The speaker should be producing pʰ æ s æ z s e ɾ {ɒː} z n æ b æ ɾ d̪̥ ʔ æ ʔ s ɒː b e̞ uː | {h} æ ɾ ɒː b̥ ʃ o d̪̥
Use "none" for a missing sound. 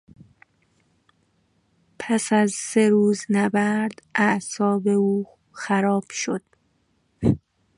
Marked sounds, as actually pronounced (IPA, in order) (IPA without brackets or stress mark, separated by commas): uː, x